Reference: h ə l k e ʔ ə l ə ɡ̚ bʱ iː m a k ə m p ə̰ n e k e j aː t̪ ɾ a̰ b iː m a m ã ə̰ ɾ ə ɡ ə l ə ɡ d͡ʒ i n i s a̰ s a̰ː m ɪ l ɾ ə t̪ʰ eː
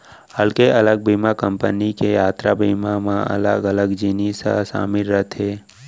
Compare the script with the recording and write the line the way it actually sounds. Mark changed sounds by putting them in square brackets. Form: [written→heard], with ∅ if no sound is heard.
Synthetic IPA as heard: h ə l k e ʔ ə l ə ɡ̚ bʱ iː m a k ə m p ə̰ n [e→i] k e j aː t̪ ɾ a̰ b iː m a m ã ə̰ [ɾ→l] ə ɡ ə l ə ɡ d͡ʒ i n i s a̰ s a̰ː m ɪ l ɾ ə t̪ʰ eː